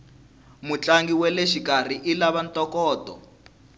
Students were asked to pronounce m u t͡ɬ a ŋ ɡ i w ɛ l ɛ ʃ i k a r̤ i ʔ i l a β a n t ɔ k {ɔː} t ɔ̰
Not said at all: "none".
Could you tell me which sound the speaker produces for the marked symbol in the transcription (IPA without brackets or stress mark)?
ɔː